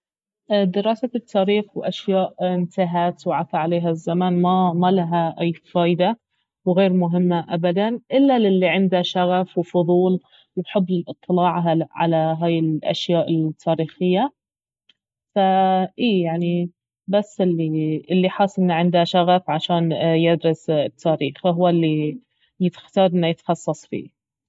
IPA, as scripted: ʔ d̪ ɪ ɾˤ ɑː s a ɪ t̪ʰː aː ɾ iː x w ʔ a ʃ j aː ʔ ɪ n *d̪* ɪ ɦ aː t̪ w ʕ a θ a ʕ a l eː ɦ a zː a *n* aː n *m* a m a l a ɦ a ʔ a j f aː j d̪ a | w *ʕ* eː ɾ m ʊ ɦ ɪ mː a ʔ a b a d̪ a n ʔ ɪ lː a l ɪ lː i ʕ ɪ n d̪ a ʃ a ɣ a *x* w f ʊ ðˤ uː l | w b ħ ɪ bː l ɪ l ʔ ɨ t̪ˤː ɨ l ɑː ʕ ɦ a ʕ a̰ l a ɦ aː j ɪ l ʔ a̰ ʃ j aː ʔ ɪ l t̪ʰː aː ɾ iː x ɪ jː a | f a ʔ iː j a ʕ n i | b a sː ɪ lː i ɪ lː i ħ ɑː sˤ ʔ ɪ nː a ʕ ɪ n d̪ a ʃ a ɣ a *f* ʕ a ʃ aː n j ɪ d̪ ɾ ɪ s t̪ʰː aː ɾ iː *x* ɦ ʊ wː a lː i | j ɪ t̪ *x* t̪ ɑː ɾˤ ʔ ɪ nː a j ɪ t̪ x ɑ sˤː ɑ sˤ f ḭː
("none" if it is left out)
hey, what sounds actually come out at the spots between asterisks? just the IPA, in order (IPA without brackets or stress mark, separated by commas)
t̪, m, m, ɣ, f, f, x, x